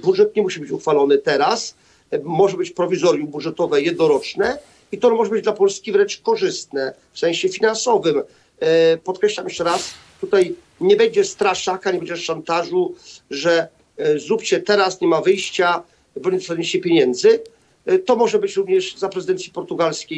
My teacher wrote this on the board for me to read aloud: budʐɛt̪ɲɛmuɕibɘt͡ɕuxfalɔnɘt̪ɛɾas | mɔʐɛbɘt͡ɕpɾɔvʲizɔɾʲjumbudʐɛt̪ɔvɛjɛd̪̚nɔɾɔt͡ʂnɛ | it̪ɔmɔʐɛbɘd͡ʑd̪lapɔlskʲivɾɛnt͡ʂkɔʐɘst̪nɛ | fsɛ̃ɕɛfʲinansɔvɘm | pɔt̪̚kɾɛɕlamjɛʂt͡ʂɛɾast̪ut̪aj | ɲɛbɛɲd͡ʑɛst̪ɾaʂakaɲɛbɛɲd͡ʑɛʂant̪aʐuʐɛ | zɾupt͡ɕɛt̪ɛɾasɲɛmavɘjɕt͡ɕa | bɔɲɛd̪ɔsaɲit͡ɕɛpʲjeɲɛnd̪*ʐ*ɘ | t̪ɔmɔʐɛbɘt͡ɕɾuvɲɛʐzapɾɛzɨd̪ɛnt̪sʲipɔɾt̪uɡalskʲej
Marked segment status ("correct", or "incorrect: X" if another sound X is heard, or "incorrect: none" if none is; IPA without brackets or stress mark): incorrect: z